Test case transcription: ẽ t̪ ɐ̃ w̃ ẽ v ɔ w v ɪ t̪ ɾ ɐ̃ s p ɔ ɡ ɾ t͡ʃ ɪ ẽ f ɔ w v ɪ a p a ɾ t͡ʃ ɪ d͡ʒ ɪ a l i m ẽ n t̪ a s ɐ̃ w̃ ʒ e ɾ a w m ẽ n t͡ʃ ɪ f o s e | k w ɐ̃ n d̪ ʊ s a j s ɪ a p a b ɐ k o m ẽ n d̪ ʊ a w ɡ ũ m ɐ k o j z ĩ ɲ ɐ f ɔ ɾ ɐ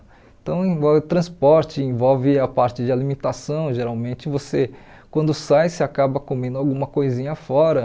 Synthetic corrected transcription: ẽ t̪ ɐ̃ w̃ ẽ v ɔ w v ɪ t̪ ɾ ɐ̃ s p ɔ ɾ t͡ʃ ɪ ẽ v ɔ w v ɪ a p a ɾ t͡ʃ ɪ d͡ʒ ɪ a l i m ẽ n t̪ a s ɐ̃ w̃ ʒ e ɾ a w m ẽ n t͡ʃ ɪ v o s e | k w ɐ̃ n d̪ ʊ s a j s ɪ a k a b ɐ k o m ẽ n d̪ ʊ a w ɡ ũ m ɐ k o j z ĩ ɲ ɐ f ɔ ɾ ɐ